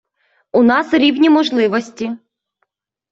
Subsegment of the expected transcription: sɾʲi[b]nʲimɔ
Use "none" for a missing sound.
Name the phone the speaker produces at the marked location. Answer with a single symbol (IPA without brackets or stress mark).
w